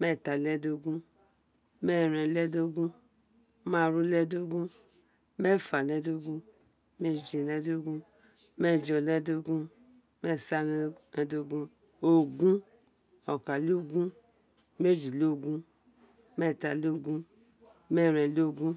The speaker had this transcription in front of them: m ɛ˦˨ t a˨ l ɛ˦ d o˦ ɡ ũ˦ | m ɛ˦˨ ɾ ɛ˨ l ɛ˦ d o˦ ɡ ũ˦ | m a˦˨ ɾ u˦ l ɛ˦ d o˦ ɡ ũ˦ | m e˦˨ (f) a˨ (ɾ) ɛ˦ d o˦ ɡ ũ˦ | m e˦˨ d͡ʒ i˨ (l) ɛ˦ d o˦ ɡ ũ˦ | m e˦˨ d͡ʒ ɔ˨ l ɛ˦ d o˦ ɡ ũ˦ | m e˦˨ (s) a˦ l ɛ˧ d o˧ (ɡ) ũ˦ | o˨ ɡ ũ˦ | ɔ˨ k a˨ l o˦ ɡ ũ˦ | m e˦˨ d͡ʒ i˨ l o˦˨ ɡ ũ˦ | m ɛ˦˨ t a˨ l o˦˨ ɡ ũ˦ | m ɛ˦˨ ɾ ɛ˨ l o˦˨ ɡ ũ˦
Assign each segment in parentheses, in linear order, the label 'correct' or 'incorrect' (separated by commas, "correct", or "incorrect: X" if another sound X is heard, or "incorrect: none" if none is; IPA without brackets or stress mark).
correct, incorrect: l, correct, correct, correct